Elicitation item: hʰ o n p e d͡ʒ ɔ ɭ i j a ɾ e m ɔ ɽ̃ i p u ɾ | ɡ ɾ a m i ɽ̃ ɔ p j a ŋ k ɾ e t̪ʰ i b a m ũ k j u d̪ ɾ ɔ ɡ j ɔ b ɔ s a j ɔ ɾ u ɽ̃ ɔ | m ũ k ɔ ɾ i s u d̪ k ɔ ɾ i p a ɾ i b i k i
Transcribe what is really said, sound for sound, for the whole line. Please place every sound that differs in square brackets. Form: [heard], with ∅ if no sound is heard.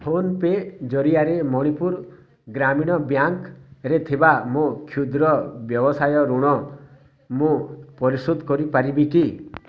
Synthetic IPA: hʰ o n p e d͡ʒ ɔ [ɾ] i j a ɾ e m ɔ ɽ̃ i p u ɾ | ɡ ɾ a m i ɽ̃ ɔ [b] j a ŋ k ɾ e t̪ʰ i b a m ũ [kʰ] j u d̪ ɾ ɔ [b] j ɔ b ɔ s a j ɔ ɾ u ɽ̃ ɔ | m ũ [p] ɔ ɾ i s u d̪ k ɔ ɾ i p a ɾ i b i k i